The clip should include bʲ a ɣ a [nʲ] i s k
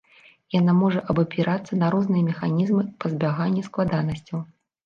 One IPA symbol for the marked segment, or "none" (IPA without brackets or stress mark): nʲː